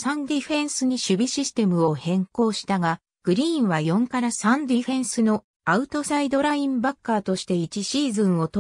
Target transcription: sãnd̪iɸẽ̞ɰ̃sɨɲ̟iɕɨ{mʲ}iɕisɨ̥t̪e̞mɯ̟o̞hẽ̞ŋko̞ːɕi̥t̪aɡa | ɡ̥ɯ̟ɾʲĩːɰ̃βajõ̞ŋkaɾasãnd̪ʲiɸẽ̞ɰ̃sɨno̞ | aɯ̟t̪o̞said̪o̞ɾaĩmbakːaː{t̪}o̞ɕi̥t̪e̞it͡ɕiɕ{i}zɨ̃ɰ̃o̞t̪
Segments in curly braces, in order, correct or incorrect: incorrect: bʲ, correct, incorrect: iː

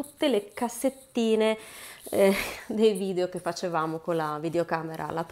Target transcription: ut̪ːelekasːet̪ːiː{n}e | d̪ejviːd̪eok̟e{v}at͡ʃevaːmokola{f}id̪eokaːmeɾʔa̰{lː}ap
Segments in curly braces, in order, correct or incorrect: correct, incorrect: f, incorrect: v, incorrect: l

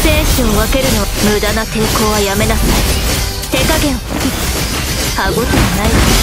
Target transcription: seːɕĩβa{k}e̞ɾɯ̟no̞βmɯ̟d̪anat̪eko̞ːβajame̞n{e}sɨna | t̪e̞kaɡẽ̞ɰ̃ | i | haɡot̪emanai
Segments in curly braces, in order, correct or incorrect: correct, incorrect: a

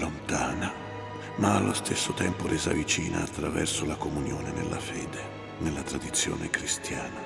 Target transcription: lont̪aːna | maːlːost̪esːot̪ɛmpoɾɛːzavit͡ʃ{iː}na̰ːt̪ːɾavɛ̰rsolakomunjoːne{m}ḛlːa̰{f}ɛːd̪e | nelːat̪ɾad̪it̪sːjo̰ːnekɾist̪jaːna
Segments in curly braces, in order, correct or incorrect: correct, incorrect: n, correct

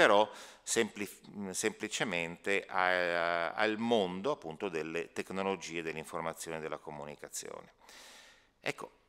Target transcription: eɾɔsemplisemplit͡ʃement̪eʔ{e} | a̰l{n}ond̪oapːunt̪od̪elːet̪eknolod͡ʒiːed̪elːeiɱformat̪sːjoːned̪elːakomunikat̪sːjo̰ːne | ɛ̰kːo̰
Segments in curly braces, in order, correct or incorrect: incorrect: a, incorrect: m

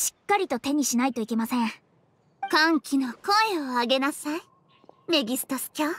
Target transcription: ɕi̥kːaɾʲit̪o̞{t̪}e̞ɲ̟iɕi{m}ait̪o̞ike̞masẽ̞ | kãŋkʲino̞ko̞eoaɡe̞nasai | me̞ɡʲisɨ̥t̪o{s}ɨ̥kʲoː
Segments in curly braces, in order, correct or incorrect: correct, incorrect: n, correct

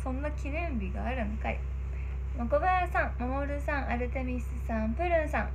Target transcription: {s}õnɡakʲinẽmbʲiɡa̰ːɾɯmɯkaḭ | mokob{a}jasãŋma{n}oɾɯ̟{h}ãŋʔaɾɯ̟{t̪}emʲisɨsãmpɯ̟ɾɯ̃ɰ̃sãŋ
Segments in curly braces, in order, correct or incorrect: correct, correct, incorrect: m, incorrect: s, correct

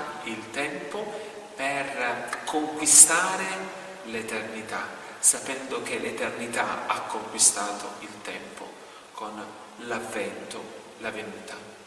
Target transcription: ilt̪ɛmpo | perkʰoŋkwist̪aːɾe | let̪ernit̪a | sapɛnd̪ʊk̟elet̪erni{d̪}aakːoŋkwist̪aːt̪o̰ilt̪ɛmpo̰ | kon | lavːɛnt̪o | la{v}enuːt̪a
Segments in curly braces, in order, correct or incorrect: incorrect: t̪, correct

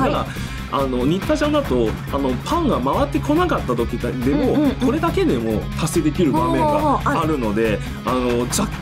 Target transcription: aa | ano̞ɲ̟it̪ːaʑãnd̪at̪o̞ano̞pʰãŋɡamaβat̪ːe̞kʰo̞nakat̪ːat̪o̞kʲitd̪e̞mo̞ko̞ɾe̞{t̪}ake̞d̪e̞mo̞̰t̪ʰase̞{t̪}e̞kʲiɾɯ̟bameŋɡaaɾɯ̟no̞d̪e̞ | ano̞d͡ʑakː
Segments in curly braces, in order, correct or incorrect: incorrect: d̪, incorrect: d̪

